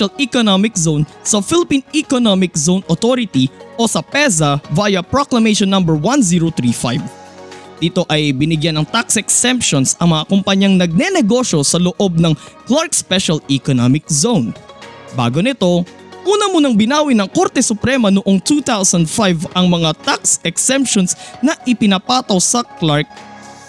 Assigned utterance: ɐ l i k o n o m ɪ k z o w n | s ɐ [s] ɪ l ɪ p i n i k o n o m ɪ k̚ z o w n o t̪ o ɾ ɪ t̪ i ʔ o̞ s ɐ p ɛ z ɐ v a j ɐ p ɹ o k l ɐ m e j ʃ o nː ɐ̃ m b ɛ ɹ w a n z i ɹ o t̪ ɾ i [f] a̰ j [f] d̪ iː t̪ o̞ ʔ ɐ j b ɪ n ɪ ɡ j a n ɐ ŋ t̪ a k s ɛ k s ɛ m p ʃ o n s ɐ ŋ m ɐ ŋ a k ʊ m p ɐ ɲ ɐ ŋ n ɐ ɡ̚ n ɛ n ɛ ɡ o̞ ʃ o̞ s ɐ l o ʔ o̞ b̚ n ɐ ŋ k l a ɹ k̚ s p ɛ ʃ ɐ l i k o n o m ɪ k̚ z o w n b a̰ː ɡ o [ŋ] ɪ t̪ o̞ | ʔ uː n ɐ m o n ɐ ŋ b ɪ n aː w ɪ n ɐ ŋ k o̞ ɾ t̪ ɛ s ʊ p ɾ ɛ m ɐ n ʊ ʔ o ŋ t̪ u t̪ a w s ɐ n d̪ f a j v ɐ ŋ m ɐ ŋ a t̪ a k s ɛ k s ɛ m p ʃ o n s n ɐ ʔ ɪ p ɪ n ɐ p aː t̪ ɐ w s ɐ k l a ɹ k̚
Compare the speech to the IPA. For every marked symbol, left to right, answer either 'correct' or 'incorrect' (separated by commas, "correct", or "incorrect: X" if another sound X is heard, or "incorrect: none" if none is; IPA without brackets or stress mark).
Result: incorrect: f, correct, incorrect: v, incorrect: n